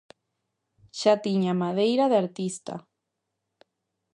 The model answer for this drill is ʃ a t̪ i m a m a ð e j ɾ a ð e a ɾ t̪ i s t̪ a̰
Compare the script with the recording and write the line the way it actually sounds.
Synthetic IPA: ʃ a t̪ i ɲ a m a ð e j ɾ a ð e a ɾ t̪ i s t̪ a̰